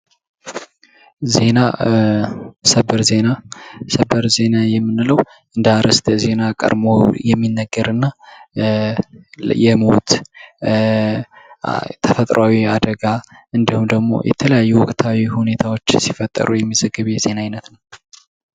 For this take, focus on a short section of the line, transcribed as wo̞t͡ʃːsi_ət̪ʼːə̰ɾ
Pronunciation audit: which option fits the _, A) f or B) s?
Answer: A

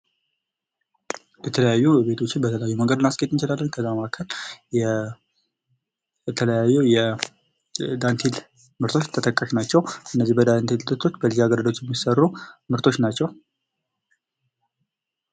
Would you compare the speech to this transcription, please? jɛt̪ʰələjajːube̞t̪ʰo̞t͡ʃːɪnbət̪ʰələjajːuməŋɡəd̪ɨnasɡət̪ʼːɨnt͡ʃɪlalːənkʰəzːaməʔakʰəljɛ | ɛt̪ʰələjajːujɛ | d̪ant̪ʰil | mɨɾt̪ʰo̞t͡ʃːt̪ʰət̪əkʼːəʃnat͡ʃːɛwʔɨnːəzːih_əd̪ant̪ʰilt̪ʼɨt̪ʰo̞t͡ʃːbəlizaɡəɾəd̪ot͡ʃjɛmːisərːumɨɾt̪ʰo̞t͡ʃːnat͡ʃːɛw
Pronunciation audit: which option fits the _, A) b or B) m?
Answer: A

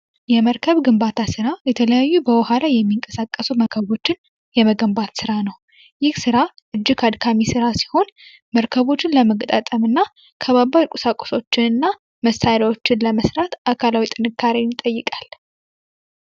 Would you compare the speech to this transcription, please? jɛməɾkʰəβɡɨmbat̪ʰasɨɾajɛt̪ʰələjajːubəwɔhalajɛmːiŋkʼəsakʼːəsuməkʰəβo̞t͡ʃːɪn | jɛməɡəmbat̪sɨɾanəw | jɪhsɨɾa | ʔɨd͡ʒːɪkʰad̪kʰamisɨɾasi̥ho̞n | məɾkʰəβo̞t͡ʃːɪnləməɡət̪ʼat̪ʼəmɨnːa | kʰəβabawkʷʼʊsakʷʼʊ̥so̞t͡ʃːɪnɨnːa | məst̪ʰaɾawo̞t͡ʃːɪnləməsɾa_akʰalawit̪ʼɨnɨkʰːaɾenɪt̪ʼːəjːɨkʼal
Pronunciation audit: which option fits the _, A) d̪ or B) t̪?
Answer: B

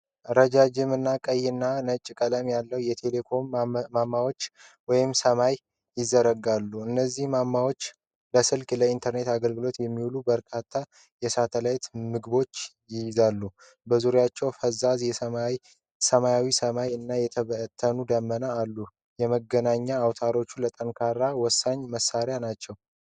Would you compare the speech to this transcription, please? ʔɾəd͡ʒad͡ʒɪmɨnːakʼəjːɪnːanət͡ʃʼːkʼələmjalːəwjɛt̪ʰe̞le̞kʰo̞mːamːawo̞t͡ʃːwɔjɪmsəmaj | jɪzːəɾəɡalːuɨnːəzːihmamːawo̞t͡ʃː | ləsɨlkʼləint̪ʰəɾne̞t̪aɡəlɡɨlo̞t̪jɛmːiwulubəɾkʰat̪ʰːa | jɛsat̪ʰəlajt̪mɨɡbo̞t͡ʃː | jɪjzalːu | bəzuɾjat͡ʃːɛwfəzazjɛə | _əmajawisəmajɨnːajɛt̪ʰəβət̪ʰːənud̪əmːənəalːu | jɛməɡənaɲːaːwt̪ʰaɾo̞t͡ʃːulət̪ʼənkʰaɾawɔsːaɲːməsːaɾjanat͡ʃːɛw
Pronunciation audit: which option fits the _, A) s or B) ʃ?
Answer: A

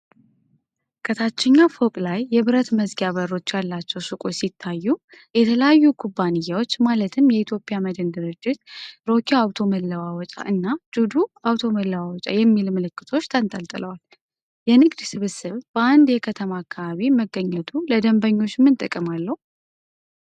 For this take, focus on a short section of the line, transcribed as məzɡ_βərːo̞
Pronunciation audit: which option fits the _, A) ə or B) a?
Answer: B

